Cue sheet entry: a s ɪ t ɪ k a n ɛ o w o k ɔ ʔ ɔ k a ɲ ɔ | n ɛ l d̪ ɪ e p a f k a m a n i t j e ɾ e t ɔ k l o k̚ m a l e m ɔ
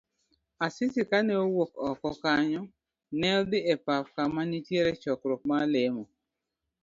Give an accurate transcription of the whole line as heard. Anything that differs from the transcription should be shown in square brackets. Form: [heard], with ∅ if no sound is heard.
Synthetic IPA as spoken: a s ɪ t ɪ k a n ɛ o w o k ɔ [k] ɔ k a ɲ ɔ | n ɛ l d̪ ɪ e p a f k a m a n i t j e ɾ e [t͡ʃ] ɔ k [ɾ] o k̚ m a l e m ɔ